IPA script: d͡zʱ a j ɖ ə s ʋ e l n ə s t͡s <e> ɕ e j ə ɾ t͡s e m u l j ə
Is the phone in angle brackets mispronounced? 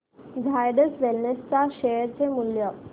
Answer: yes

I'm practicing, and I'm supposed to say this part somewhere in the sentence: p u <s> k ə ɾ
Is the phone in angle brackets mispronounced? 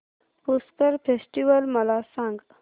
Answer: no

